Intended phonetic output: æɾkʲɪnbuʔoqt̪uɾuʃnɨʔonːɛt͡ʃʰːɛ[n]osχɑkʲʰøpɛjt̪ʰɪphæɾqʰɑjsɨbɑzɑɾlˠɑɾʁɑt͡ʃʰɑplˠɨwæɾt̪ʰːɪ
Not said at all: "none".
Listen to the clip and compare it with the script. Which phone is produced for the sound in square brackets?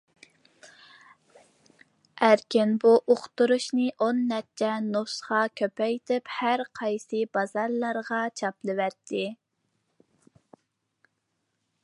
n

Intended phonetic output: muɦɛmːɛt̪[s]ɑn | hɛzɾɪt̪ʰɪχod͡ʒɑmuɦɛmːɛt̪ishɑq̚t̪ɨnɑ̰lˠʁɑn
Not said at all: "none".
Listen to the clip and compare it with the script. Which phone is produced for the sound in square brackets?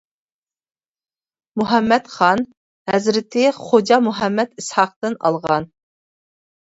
χ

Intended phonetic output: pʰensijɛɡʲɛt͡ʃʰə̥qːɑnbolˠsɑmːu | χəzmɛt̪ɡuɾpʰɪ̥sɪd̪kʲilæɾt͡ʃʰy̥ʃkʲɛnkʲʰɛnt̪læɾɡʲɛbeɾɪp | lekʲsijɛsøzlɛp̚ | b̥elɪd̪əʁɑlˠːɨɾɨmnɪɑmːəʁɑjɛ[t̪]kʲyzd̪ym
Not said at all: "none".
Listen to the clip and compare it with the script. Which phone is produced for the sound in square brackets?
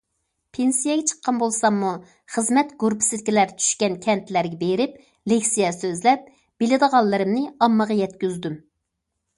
t̪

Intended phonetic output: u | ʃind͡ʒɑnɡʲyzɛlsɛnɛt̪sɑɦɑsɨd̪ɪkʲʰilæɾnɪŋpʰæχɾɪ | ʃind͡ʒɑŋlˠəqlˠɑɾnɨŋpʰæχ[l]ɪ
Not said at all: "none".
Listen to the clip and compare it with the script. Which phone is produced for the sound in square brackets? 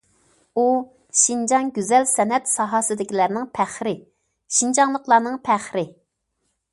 ɾ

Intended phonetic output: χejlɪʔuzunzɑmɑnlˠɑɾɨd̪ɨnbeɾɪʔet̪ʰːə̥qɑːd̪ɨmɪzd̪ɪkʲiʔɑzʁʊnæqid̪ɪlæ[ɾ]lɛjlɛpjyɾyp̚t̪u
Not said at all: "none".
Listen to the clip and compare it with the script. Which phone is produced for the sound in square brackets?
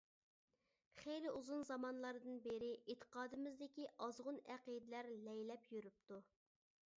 ɾ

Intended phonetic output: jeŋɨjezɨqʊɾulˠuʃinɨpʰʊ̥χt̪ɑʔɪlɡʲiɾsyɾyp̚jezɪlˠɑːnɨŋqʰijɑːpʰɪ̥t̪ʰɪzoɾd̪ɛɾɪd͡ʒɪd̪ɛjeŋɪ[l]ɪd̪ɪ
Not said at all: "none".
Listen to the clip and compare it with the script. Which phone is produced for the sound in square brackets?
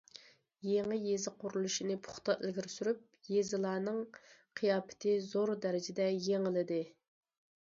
l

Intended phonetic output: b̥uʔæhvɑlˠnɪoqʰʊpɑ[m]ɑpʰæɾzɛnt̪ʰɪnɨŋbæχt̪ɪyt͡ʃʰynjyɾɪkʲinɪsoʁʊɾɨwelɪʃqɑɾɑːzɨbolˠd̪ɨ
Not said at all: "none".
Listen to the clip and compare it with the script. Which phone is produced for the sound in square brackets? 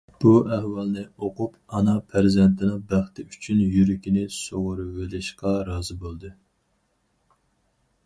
n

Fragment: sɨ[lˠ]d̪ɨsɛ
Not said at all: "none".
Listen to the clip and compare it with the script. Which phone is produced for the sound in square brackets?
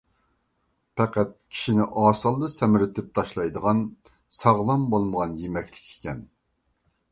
lˠ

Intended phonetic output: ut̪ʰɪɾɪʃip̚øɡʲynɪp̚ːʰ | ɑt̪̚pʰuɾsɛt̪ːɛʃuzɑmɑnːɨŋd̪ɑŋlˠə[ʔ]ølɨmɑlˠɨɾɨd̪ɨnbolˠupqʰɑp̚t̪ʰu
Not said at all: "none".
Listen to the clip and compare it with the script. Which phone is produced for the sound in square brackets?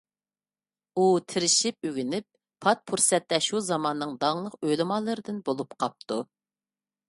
q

